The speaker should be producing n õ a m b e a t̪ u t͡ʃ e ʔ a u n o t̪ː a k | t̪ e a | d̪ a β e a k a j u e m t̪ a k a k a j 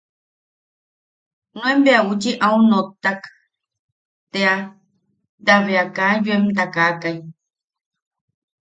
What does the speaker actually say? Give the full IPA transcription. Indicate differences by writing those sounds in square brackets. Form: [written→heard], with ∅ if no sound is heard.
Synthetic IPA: n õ [a→e] m b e a [t̪→∅] u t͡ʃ [e→i] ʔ a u n o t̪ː a k | t̪ e a | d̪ a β e a k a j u e m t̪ a k a k a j